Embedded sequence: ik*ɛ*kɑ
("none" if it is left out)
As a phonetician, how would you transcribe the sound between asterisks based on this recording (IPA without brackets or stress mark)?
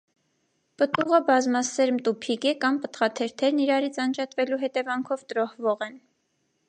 ɛ